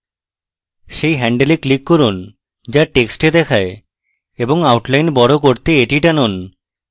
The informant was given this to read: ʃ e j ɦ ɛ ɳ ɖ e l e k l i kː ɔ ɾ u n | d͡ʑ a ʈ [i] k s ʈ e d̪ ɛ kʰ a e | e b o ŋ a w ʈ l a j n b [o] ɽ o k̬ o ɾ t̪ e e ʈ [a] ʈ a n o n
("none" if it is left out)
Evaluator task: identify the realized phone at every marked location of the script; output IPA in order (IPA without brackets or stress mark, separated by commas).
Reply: e, ɔ, i